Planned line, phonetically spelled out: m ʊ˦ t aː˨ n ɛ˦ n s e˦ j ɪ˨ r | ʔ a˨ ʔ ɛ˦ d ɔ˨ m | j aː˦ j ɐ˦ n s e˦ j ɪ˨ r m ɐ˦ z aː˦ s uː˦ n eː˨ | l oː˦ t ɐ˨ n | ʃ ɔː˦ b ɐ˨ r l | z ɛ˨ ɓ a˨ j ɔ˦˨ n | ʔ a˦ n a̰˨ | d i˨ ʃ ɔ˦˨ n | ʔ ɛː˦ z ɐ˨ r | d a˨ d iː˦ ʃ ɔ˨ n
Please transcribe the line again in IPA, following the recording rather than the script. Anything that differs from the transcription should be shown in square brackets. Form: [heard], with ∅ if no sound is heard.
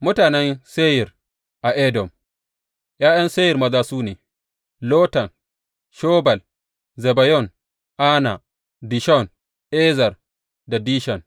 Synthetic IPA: m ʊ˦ t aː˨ n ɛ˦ n s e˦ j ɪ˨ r | ʔ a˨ ʔ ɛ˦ d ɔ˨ m | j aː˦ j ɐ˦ n s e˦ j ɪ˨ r m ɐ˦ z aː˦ s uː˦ n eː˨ | l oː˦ t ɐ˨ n | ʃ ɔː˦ b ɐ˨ [∅] l | z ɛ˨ [b] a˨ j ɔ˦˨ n | ʔ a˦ n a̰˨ | d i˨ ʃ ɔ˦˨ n | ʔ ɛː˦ z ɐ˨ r | d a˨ d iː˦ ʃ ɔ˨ n